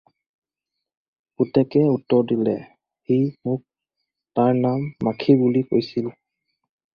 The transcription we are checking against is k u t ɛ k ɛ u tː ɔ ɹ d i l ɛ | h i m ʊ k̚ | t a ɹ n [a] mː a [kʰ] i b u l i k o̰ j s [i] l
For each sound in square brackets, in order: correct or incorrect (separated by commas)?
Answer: correct, correct, correct